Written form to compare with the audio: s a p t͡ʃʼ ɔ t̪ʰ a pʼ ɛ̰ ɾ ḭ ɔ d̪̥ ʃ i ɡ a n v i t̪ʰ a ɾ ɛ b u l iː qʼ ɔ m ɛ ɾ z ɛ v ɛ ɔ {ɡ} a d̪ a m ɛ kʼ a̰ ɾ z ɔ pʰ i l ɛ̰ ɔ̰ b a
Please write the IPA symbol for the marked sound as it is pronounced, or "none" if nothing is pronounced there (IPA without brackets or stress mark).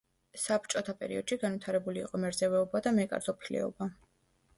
b